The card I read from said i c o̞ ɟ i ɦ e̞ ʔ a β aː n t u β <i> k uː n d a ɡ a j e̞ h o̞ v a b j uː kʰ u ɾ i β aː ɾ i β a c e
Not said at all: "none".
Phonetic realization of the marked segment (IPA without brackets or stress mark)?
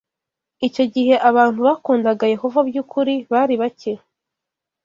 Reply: a